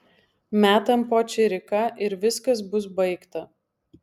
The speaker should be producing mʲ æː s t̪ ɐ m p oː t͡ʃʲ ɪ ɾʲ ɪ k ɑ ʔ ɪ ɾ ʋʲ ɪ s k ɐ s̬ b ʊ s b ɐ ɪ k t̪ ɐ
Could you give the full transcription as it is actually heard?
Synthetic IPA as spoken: mʲ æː t̪ ɐ m p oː t͡ʃʲ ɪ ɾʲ ɪ k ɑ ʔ ɪ ɾ ʋʲ ɪ s k ɐ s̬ b ʊ s b ɐ ɪ k t̪ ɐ